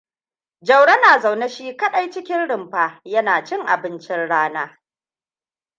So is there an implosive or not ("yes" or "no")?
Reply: yes